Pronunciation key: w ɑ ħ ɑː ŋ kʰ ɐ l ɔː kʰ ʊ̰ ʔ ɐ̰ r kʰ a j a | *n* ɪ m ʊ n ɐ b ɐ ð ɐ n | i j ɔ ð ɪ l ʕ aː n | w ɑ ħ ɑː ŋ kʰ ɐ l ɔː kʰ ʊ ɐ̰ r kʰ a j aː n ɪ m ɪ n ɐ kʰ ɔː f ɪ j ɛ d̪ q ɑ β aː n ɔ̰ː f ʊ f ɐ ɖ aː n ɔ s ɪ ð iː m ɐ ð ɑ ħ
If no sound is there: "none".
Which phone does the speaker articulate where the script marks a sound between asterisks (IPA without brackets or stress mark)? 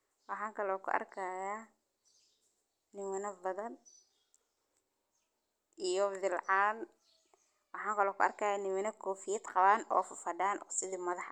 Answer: n